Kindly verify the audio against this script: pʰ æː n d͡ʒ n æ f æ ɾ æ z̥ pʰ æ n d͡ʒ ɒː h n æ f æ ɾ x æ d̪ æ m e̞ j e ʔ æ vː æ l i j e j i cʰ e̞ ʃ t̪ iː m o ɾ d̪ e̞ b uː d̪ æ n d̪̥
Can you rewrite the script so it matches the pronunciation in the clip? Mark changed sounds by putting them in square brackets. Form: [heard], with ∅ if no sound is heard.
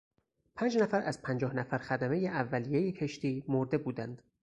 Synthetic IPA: pʰ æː n d͡ʒ n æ f æ ɾ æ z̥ pʰ æ n d͡ʒ ɒː h n æ f æ ɾ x æ d̪ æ m e̞ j e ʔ æ vː æ l i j e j [e] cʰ e̞ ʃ t̪ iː m o ɾ d̪ e̞ b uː d̪ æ n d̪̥